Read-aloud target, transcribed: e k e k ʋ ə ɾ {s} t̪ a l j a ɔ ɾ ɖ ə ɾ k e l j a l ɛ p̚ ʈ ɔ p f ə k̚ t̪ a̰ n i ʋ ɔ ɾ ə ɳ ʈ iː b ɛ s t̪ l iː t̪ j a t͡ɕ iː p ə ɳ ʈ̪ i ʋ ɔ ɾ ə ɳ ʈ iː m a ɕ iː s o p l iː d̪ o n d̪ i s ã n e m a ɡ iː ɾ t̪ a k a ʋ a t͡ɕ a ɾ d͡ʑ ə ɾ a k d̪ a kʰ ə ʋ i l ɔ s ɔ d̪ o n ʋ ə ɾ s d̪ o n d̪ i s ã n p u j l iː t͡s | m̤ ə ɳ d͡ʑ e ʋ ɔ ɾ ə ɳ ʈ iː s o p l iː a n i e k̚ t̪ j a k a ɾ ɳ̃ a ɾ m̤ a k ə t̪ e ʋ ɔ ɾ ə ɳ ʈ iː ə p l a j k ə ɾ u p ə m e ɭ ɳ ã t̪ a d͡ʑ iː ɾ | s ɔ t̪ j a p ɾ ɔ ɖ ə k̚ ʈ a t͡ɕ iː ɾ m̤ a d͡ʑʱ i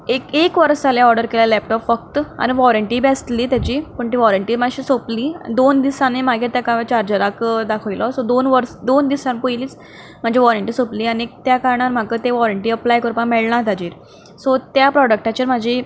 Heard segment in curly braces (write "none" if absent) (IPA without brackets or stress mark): s